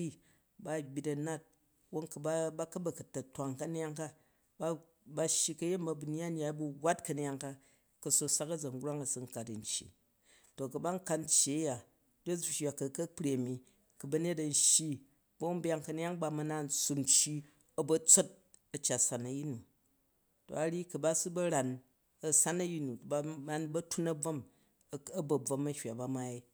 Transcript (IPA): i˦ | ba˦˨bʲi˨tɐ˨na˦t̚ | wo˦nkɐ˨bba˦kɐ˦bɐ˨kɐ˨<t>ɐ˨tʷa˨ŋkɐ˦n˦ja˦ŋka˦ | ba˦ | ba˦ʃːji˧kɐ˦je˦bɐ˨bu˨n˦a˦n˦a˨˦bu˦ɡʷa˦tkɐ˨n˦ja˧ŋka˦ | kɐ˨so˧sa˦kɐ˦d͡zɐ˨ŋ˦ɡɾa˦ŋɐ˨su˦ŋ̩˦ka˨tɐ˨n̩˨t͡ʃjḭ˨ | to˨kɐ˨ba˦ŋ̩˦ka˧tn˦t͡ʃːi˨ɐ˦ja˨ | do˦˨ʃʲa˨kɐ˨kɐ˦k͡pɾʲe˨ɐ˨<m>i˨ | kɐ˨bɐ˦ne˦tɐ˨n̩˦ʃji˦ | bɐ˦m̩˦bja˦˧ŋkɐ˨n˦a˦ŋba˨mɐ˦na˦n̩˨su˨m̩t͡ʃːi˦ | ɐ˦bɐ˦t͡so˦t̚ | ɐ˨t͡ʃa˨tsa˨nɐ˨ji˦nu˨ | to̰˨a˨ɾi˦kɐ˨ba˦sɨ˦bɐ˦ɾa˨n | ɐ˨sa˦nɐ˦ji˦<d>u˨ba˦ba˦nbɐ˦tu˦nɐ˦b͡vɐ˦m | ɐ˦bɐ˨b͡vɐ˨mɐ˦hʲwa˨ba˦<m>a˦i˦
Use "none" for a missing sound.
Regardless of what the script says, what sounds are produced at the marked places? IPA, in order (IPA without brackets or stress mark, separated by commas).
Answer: t, m, n, m